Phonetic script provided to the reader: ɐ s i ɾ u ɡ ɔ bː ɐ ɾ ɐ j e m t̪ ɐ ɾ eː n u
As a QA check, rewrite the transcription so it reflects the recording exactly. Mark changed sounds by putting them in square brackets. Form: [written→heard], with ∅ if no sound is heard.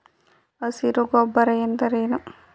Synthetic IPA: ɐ s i ɾ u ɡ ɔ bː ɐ ɾ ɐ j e [m→n] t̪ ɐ ɾ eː n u